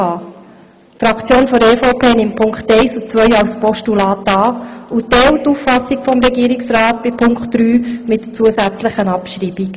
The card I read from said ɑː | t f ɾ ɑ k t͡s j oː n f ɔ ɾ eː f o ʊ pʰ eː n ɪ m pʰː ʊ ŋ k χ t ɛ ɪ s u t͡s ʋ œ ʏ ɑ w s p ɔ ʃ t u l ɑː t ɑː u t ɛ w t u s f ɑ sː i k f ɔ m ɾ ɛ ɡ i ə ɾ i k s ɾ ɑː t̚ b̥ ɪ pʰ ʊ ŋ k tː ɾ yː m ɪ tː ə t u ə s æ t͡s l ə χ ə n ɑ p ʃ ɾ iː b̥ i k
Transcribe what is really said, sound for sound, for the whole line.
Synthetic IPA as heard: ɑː | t f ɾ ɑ k t͡s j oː n f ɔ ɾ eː f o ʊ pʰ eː n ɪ m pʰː ʊ ŋ k χ t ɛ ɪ s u t͡s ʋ œ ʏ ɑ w s p ɔ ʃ t u l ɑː t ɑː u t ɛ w t u f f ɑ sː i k f ɔ m ɾ ɛ ɡ i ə ɾ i k s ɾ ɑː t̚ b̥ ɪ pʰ ʊ ŋ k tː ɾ yː m ɪ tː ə t͡s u ə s æ t͡s l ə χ ə n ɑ p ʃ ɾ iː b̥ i k